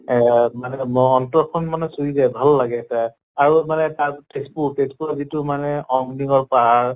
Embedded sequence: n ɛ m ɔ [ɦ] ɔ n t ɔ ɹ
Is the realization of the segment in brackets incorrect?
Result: yes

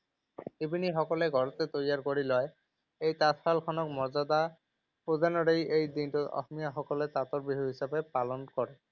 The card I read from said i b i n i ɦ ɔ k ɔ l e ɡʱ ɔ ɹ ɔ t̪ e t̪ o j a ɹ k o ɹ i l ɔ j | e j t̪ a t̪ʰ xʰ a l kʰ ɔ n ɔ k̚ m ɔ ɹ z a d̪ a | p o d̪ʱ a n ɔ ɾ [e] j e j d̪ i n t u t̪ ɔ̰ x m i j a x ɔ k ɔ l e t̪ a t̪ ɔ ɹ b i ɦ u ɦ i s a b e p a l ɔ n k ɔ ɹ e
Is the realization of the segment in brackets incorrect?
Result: no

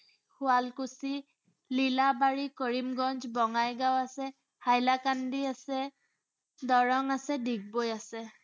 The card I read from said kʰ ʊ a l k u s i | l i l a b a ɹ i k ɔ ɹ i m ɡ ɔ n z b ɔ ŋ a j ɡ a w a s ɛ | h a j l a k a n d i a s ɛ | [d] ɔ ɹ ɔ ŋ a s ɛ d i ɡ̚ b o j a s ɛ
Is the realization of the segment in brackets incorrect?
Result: no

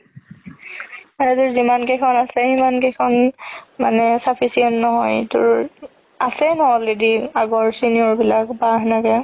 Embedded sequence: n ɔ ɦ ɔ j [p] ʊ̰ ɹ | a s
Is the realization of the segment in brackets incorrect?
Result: yes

